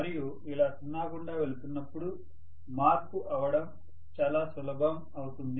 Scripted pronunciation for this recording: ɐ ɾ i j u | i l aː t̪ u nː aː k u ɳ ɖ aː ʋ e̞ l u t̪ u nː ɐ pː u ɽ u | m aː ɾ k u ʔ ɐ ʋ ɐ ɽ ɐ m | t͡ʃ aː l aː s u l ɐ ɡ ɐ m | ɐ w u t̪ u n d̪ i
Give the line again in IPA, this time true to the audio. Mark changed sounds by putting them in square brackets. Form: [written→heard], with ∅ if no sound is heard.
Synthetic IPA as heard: ɐ ɾ i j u | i l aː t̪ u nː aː k u ɳ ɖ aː ʋ e̞ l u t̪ u nː ɐ pː u ɽ u | m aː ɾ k u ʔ ɐ ʋ ɐ ɽ ɐ m | t͡ʃ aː l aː s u l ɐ ɡ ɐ m | ɐ w u t̪ u n d̪ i